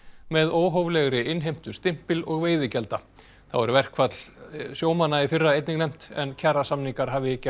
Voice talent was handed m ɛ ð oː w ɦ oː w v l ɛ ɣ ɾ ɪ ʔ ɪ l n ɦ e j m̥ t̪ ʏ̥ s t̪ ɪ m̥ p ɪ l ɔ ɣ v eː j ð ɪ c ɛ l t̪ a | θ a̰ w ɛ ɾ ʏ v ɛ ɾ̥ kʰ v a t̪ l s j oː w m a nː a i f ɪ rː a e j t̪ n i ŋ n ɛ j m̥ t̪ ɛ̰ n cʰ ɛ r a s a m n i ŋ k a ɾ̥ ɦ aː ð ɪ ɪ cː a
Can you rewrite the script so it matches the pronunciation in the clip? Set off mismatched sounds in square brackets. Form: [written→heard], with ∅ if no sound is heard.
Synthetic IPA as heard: m ɛ ð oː w ɦ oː w v l ɛ ɣ ɾ ɪ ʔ ɪ [l→∅] n ɦ e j m̥ t̪ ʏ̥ s t̪ ɪ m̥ p ɪ l ɔ ɣ v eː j ð ɪ c ɛ l t̪ a | θ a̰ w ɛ ɾ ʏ v ɛ [ɾ̥→r̥] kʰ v a t̪ l s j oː w m a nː a i f ɪ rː a e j t̪ n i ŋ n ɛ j m̥ t̪ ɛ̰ n cʰ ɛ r a s a m n i ŋ k a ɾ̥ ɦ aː [ð→v] ɪ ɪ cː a